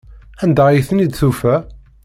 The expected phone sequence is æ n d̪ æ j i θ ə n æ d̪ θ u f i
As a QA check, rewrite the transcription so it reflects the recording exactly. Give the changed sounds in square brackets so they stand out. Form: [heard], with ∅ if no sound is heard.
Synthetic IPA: æ n d̪ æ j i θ ə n [i] d̪ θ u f [æ]